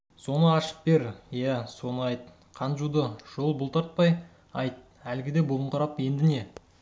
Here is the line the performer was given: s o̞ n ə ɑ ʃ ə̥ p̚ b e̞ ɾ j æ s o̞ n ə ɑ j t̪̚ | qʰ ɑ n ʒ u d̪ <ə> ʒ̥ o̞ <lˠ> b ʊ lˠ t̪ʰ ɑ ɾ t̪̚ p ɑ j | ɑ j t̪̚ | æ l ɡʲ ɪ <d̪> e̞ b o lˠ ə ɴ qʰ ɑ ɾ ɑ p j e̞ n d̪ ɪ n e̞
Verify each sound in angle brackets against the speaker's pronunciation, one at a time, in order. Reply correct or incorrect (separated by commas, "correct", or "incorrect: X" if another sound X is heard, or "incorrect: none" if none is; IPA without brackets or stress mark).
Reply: correct, correct, correct